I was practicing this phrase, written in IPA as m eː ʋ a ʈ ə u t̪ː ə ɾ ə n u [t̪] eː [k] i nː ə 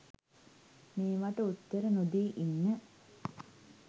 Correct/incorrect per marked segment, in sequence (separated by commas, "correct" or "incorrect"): incorrect, incorrect